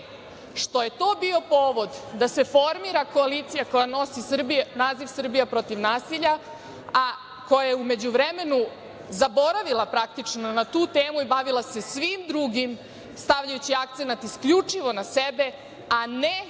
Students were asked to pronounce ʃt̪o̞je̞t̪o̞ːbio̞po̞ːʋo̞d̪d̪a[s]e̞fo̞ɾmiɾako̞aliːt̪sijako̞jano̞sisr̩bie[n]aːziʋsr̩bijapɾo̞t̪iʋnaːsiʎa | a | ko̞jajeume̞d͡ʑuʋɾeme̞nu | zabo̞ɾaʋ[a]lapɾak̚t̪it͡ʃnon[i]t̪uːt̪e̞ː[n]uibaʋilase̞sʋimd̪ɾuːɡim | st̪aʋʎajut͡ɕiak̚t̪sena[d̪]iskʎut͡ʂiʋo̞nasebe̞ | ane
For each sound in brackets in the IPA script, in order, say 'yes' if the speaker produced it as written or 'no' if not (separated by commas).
yes, yes, no, no, no, no